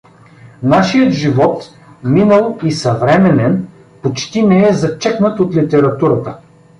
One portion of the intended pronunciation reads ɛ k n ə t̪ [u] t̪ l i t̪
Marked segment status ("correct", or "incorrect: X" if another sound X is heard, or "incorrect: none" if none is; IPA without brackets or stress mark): incorrect: o